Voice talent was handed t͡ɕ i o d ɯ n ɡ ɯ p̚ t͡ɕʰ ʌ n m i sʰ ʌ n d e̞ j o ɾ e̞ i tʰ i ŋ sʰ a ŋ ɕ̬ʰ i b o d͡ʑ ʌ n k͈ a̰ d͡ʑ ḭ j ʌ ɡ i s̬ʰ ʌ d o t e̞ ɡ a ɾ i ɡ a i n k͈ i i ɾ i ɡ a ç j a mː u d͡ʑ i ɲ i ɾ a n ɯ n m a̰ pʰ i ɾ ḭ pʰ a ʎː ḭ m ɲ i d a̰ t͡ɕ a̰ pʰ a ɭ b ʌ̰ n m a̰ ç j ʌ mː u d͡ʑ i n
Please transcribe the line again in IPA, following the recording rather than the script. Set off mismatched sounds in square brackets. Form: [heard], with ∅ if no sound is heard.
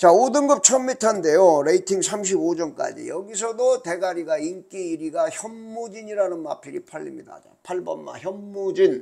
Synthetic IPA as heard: t͡ɕ [a] o d ɯ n ɡ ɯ p̚ t͡ɕʰ ʌ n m i [tʰ] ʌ n d e̞ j o ɾ e̞ i tʰ i ŋ sʰ a [m] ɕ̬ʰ i b o d͡ʑ ʌ n k͈ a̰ d͡ʑ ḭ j ʌ ɡ i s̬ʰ ʌ d o t e̞ ɡ a ɾ i ɡ a i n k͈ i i ɾ i ɡ a ç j [ʌ] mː u d͡ʑ i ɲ i ɾ a n ɯ n m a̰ pʰ i ɾ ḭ pʰ a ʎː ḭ m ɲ i d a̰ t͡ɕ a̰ pʰ a ɭ b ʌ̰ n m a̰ ç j ʌ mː u d͡ʑ i n